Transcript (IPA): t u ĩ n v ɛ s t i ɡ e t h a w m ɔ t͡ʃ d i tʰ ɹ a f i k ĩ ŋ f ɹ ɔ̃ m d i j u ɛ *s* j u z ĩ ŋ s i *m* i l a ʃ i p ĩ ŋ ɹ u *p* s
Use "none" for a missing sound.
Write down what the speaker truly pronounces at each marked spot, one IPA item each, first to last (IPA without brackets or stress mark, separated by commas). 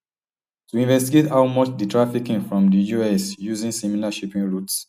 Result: s, m, t